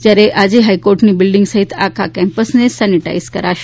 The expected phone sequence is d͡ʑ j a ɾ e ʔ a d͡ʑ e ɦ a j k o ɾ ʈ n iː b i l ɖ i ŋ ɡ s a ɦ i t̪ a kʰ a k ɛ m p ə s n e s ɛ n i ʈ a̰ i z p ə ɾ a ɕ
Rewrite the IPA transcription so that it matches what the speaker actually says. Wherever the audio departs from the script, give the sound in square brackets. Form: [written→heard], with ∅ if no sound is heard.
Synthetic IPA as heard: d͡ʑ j a ɾ e ʔ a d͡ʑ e ɦ a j k o ɾ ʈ n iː b i l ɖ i ŋ ɡ s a ɦ i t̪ a kʰ a k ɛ m p ə s n e s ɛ n i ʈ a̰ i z [p→k] ə ɾ a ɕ